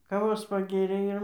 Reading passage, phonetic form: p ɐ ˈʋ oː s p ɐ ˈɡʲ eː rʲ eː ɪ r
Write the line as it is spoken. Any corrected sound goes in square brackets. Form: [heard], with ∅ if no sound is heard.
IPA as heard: [k] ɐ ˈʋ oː s p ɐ ˈɡʲ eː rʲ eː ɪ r